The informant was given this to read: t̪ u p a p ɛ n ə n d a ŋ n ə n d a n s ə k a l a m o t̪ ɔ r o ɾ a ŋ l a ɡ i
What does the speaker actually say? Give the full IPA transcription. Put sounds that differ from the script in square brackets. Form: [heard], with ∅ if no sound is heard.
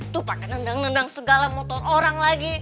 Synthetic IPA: t̪ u p a [k] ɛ n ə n d a ŋ n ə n d a [ŋ] s ə [ɡ] a l a m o t̪ ɔ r o ɾ a ŋ l a ɡ i